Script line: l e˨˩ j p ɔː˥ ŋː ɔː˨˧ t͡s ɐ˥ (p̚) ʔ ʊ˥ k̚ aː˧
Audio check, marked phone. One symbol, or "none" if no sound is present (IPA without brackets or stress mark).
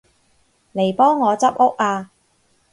p̚